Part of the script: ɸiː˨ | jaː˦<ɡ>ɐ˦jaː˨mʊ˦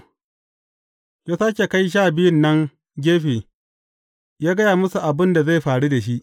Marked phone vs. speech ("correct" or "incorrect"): correct